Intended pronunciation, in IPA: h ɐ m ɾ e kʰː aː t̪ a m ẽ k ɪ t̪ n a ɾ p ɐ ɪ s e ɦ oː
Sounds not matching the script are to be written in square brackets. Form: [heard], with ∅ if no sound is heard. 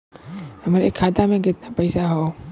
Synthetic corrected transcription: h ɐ m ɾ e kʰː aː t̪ a m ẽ k ɪ t̪ n a [∅] p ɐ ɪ s [a] ɦ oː